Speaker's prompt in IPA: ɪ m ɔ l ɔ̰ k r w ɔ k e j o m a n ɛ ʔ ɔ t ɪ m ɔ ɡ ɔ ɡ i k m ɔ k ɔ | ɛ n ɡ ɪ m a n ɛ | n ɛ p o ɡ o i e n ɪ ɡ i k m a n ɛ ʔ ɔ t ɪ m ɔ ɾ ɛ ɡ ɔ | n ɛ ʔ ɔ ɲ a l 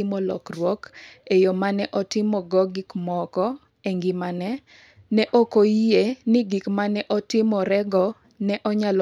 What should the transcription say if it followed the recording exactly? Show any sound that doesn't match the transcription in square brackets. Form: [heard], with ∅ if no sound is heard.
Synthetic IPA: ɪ m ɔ l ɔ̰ k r w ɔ k e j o m a n ɛ ʔ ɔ t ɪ m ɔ ɡ ɔ ɡ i k m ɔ k ɔ | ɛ [ŋ] ɡ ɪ m a n ɛ | n ɛ [ʔ] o [k] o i e n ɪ ɡ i k m a n ɛ ʔ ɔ t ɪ m ɔ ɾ ɛ ɡ ɔ | n ɛ ʔ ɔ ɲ a l

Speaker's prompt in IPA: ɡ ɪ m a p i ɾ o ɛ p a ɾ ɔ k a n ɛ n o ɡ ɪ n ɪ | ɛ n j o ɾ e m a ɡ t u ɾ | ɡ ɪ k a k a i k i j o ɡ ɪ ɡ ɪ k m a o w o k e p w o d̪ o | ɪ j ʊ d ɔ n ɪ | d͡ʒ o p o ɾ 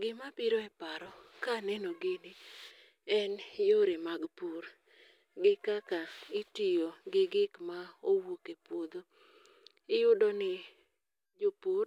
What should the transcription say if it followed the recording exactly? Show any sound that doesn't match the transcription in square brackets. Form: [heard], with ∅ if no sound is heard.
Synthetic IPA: ɡ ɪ m a p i ɾ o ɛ p a ɾ ɔ k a n ɛ n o ɡ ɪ n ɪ | ɛ n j o ɾ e m a ɡ [p] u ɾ | ɡ ɪ k a k a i [t] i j o ɡ ɪ ɡ ɪ k m a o w o k e p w o d̪ o | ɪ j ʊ d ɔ n ɪ | d͡ʒ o p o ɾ

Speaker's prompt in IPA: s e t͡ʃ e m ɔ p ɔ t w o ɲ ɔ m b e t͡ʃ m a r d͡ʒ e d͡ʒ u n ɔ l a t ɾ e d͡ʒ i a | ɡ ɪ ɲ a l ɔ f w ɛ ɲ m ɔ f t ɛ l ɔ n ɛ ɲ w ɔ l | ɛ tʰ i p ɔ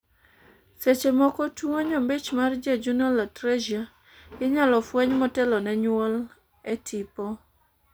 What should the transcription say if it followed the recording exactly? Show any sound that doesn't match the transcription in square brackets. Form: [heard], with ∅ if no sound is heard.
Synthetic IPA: s e t͡ʃ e m ɔ [k] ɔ t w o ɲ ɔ m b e t͡ʃ m a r d͡ʒ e d͡ʒ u n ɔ l a t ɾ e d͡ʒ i a | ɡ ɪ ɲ a l ɔ f w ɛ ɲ m ɔ [∅] t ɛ l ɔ n ɛ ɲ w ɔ l | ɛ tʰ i p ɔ

